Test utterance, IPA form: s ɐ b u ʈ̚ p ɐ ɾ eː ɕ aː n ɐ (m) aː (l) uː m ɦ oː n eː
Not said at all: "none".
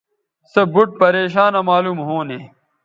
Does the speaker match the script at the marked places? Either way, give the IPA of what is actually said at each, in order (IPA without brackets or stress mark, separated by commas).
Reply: m, l